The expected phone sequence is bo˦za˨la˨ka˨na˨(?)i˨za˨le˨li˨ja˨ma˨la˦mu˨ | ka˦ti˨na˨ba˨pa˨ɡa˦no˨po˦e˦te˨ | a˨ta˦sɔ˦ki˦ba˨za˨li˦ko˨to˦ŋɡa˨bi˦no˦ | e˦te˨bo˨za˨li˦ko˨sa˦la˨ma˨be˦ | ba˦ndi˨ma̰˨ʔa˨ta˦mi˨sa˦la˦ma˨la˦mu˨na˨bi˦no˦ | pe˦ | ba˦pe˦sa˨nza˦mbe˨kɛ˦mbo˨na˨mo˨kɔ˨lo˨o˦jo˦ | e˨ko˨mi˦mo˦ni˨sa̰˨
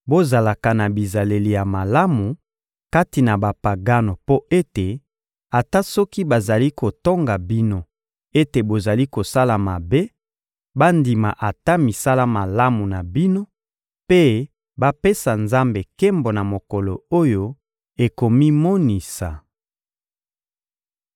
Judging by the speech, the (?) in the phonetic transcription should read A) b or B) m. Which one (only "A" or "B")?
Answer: A